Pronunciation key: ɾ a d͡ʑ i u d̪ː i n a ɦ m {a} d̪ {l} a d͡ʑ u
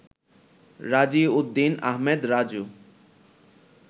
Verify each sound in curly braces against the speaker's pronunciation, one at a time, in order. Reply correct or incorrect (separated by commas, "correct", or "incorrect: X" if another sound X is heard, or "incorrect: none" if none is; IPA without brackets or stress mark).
incorrect: e, incorrect: ɾ